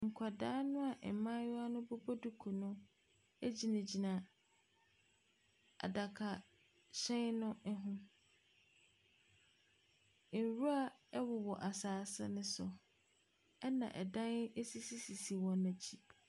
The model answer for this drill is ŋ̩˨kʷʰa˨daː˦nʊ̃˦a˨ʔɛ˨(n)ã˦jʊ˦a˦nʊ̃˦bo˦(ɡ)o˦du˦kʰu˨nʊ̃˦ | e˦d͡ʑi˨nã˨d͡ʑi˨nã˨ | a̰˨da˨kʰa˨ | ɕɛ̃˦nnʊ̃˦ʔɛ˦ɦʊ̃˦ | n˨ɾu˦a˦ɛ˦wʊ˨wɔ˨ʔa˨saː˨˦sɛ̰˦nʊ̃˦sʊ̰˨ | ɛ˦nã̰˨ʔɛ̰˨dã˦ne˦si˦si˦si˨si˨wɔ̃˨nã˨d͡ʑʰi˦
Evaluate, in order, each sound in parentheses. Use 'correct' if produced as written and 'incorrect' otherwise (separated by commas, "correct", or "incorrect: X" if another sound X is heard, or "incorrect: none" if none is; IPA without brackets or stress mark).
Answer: incorrect: m, incorrect: b